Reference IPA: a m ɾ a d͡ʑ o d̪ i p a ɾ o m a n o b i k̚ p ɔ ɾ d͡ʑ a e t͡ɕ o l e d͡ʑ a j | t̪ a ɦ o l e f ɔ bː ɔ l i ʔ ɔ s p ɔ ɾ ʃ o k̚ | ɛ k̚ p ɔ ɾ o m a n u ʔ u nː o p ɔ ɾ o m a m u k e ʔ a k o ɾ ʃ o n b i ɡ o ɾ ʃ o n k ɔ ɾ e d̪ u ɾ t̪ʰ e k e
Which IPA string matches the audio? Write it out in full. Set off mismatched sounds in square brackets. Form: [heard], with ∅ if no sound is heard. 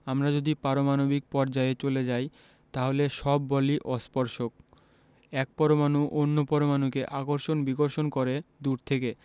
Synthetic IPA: a m ɾ a d͡ʑ o d̪ i p a ɾ o m a n o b i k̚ p ɔ ɾ d͡ʑ a e t͡ɕ o l e d͡ʑ a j | t̪ a ɦ o l e [ʃ] ɔ bː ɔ l i ʔ ɔ s p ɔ ɾ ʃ o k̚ | ɛ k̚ p ɔ ɾ o m a n u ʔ [o] nː o p ɔ ɾ o m a [n] u k e ʔ a k o ɾ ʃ o n b i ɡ o ɾ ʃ o n k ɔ ɾ e d̪ u ɾ t̪ʰ e k e